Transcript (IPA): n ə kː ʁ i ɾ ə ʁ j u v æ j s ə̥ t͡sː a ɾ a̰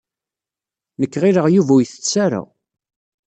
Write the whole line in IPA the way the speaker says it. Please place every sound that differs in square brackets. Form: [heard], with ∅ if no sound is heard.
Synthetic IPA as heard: n ə kː ʁ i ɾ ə ʁ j u v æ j [θ] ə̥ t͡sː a ɾ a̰